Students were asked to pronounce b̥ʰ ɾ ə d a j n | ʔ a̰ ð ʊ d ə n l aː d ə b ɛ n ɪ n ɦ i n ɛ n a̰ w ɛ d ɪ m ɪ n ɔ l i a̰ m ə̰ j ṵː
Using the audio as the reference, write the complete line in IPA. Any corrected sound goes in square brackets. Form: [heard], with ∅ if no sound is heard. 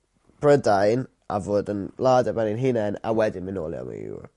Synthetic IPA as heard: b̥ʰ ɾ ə d a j n | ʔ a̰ [v] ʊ d ə n l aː d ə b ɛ n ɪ n ɦ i n ɛ n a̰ w ɛ d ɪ m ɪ n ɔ l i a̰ m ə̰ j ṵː